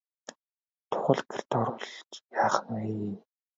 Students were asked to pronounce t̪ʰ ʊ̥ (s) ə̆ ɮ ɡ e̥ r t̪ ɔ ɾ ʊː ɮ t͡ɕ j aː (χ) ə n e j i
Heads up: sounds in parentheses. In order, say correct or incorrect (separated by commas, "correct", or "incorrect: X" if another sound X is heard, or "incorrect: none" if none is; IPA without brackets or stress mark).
incorrect: χ, correct